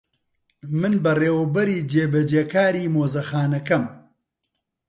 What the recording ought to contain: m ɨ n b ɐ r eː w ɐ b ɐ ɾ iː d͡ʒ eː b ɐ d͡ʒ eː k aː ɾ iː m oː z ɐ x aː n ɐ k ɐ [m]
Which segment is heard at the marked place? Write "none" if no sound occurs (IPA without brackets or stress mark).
m